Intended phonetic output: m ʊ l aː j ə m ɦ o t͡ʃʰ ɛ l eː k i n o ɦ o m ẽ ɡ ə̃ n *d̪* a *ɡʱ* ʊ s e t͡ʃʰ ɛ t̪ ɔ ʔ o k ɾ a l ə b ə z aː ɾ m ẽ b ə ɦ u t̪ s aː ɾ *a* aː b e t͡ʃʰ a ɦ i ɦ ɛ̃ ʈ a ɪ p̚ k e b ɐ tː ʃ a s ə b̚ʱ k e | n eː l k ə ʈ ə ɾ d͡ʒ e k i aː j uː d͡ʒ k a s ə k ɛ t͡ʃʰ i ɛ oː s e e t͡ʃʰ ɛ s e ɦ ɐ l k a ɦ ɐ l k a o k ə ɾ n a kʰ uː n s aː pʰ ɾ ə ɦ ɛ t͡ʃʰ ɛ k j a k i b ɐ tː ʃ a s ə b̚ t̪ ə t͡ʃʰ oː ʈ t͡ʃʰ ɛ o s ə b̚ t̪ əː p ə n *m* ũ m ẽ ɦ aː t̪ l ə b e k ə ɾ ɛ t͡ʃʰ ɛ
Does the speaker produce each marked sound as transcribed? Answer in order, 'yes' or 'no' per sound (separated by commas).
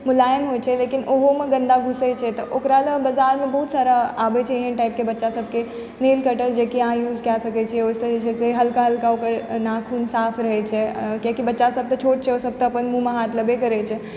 yes, yes, yes, yes